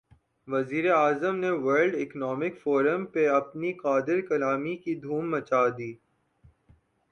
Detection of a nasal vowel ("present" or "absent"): absent